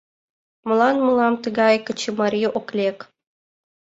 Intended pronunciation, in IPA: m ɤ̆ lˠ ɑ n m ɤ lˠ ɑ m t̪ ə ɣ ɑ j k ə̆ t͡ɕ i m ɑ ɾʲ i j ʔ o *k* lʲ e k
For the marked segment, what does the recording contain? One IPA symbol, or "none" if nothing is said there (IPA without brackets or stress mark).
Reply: k